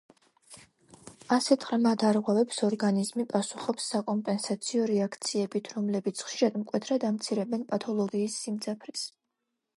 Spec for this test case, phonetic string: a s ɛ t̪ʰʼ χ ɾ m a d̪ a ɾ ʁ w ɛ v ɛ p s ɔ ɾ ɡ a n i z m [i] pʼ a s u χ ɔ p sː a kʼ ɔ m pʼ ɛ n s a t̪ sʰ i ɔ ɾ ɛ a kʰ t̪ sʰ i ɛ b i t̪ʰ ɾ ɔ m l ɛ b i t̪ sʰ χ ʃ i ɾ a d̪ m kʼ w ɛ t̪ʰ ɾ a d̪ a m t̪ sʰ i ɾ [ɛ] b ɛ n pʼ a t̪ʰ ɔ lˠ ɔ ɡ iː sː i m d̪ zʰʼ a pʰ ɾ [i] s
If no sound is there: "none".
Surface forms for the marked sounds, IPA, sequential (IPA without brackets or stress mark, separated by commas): i, ɛ, i